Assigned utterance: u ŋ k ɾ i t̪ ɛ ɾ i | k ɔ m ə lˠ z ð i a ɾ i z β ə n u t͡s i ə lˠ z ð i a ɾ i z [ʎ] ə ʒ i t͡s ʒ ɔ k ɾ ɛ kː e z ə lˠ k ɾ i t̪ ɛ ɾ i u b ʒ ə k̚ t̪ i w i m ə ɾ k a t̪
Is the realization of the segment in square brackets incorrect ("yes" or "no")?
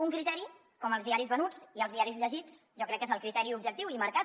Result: no